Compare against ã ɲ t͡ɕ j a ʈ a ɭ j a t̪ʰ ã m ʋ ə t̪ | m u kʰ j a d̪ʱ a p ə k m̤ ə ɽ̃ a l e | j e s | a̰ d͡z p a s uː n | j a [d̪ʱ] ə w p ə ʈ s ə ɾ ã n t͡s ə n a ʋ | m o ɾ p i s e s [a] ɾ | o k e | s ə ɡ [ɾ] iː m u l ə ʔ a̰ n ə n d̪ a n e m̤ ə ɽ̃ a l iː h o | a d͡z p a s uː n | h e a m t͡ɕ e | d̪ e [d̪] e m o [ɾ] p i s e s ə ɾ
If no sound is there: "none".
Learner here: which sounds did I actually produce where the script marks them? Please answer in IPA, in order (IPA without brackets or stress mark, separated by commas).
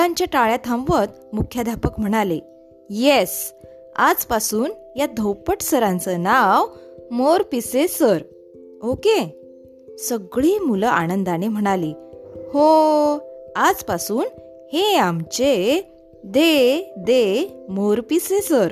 d̪ʱ, ə, ɭ, d̪, ɾ